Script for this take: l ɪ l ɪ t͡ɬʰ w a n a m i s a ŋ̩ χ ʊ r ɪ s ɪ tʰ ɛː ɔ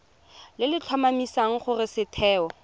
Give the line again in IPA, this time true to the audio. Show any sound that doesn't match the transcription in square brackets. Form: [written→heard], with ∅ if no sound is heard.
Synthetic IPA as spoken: l ɪ l ɪ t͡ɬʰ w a [n→m] a m i s a ŋ̩ χ ʊ r ɪ s ɪ tʰ ɛː ɔ

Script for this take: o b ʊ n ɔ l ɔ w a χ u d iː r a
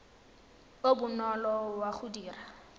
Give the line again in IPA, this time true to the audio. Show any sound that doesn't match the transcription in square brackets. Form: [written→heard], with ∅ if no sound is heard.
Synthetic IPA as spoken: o b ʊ n ɔ l ɔ w a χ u d iː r a

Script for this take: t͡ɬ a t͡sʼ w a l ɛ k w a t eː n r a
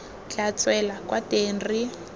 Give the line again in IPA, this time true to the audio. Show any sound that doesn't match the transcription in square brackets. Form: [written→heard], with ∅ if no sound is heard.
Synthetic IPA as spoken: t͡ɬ a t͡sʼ w [a→ɛ] l [ɛ→a] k w a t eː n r [a→i]

